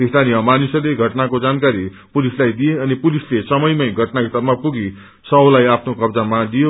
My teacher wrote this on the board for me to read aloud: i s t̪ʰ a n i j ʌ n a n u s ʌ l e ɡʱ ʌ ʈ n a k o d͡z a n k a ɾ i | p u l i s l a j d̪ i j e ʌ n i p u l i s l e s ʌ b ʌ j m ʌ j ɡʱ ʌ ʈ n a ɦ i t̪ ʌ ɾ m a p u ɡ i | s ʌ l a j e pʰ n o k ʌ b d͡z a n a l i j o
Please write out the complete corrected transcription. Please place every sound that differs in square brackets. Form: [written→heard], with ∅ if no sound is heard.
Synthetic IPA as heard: i s t̪ʰ a n i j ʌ [n→m] a n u s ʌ l e ɡʱ ʌ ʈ n a k o d͡z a n k a ɾ i | p u l i s l a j d̪ i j e ʌ n i p u l i s l e s ʌ [b→m] ʌ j m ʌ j ɡʱ ʌ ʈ n a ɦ i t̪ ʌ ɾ m a p u ɡ i | s ʌ l a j [e→a] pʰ n o k ʌ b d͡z a [n→m] a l i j o